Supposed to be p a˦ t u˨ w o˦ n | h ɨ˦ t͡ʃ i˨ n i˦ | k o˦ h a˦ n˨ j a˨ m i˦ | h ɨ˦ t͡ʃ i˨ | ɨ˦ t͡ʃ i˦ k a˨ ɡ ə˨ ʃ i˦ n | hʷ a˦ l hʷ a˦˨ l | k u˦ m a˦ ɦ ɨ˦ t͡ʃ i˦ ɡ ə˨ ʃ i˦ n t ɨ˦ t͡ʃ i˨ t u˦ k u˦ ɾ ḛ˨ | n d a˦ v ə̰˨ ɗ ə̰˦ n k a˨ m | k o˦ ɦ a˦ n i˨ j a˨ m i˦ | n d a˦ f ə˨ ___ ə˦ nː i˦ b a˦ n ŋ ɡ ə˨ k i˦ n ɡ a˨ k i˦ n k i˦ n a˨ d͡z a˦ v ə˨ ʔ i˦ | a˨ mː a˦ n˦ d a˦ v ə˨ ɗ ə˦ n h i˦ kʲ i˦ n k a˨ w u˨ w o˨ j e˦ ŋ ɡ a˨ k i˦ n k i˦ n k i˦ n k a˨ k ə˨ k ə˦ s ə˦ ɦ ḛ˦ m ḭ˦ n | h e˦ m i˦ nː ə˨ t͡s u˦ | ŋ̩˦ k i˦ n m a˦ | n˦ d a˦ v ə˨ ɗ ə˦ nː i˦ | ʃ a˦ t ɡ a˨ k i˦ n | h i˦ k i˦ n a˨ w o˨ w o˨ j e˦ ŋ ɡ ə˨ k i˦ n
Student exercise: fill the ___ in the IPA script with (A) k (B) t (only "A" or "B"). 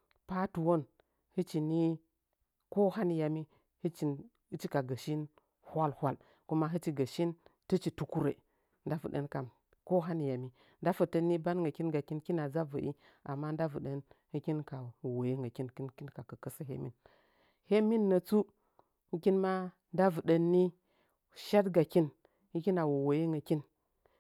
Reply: B